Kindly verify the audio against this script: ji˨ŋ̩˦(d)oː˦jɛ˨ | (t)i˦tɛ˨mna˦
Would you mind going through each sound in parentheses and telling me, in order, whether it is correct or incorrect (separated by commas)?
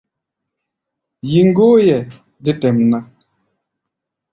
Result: incorrect, incorrect